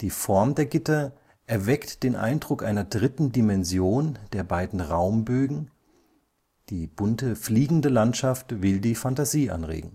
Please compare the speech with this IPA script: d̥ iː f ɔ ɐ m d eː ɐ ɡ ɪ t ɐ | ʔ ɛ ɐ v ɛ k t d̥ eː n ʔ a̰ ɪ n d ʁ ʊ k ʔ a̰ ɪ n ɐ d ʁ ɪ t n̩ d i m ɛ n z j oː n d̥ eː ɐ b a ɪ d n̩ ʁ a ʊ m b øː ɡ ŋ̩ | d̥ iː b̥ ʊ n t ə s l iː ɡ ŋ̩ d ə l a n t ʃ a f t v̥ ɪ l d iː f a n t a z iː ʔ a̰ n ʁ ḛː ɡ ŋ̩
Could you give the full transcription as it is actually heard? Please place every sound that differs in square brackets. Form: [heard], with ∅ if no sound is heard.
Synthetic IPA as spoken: d̥ iː f ɔ ɐ m d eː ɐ ɡ ɪ t ɐ | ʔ ɛ ɐ v ɛ k t d̥ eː n ʔ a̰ ɪ n d ʁ ʊ k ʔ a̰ ɪ n ɐ d ʁ ɪ t n̩ d i m ɛ n z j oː n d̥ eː ɐ b a ɪ d n̩ ʁ a ʊ m b øː ɡ ŋ̩ | d̥ iː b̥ ʊ n t ə [f] l iː ɡ ŋ̩ d ə l a n t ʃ a f t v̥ ɪ l d iː f a n t a z iː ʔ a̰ n ʁ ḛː ɡ ŋ̩